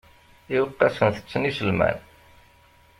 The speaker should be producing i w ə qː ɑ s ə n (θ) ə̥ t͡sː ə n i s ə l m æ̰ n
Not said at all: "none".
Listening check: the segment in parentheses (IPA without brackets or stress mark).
θ